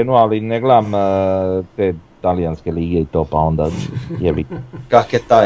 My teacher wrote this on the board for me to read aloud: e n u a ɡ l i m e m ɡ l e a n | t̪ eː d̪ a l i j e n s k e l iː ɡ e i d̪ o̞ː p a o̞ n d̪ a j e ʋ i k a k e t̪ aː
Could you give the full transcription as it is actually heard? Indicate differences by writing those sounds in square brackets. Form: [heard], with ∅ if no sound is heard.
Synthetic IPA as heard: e n u a [∅] l i [n] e [∅] ɡ l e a [m] | t̪ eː [t̪] a l i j [a] n s k e l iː ɡ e i [t̪] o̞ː p a o̞ n d̪ a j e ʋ i k a k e t̪ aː